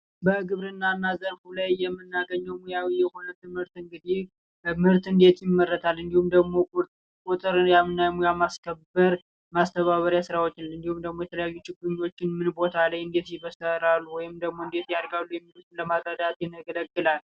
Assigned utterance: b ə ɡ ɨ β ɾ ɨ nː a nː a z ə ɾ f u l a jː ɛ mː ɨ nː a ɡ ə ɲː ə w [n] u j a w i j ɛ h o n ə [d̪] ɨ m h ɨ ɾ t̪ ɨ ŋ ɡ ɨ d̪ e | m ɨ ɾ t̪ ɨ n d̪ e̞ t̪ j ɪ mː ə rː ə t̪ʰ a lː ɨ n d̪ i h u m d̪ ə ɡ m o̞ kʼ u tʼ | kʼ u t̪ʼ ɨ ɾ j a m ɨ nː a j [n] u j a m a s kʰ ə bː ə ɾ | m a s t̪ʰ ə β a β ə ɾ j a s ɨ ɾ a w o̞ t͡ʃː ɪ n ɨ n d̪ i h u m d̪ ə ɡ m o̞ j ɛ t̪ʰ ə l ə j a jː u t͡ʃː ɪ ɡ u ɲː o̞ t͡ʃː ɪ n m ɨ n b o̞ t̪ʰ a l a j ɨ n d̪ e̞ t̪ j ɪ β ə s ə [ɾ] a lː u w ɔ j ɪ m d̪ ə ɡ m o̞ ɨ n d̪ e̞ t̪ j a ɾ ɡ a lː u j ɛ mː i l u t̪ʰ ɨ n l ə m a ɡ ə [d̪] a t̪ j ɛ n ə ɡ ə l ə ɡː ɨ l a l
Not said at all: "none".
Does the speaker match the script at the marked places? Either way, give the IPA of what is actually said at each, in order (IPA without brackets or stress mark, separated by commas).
m, t̪, m, ɾ, d̪